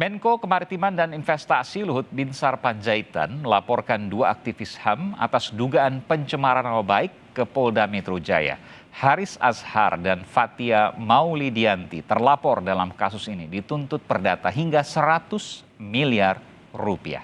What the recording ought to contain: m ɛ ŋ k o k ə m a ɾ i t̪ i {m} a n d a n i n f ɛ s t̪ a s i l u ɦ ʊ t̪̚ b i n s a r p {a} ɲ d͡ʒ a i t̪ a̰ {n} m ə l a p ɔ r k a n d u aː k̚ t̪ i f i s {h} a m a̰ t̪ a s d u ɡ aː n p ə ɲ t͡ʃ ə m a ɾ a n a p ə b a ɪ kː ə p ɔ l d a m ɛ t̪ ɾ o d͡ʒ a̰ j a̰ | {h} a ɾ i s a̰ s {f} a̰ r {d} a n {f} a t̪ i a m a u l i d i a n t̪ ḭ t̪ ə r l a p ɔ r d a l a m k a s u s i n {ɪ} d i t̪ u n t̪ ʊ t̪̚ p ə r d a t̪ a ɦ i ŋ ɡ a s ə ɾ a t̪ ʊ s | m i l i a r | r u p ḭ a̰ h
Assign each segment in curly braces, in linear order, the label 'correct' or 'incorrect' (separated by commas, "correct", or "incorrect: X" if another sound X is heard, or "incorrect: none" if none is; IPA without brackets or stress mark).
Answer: correct, correct, correct, correct, correct, incorrect: h, correct, correct, incorrect: i